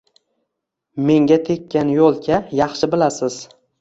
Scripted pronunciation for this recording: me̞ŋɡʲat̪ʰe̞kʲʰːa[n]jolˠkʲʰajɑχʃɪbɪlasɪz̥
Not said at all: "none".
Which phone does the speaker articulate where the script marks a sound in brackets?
n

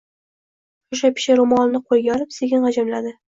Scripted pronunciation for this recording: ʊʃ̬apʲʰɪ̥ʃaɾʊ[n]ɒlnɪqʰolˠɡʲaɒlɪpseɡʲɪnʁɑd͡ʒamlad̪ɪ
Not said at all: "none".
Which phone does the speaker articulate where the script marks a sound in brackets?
m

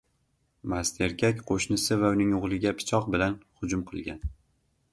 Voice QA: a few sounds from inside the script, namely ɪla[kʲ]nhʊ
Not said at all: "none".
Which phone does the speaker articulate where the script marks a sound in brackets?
none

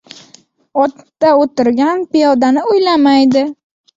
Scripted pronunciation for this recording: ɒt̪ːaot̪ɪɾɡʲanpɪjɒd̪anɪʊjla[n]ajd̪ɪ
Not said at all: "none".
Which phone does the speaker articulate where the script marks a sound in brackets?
m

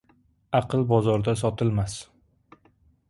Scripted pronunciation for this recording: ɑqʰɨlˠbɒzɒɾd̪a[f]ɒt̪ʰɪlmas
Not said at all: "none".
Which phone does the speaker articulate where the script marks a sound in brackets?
s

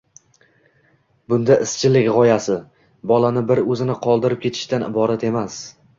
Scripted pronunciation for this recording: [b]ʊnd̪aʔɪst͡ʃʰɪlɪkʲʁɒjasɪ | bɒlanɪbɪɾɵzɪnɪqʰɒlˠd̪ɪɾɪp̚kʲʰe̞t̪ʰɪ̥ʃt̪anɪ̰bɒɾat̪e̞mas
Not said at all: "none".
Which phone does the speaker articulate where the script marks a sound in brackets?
b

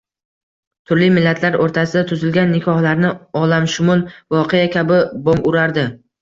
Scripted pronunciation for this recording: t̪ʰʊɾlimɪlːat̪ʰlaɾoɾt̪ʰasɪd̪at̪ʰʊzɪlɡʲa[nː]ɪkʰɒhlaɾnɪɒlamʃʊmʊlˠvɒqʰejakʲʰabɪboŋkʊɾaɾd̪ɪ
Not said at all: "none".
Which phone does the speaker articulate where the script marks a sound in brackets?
nː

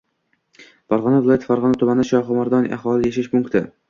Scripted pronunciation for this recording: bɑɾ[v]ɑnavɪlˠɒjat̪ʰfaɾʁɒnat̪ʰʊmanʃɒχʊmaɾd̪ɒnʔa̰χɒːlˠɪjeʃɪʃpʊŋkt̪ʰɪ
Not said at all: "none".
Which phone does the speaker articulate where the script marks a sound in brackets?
ʁ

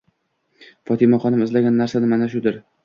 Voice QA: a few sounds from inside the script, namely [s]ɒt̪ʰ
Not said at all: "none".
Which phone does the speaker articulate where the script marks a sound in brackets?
f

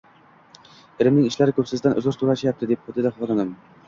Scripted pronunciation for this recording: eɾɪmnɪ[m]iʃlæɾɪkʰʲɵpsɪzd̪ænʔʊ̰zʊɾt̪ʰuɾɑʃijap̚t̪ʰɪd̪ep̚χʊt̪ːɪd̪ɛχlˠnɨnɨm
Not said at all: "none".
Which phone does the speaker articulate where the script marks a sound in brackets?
ŋ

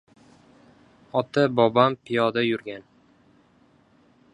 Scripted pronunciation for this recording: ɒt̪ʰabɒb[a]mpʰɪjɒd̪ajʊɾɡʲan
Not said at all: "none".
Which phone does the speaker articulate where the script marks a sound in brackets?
a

